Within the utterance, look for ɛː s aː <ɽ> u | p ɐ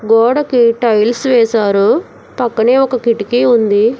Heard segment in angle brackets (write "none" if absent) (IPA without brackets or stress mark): ɾ